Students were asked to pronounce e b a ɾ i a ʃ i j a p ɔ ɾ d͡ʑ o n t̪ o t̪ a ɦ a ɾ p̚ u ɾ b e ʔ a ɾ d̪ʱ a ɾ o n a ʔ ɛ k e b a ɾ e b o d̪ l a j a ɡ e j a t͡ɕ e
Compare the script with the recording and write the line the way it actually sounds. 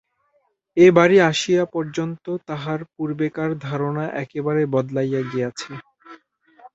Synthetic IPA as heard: e b a ɾ i a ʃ i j a p ɔ ɾ d͡ʑ o n t̪ o t̪ a ɦ a ɾ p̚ u ɾ b e k a ɾ d̪ʱ a ɾ o n a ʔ ɛ k e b a ɾ e b ɔ d̪ l a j a ɡ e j a t͡ɕʰ e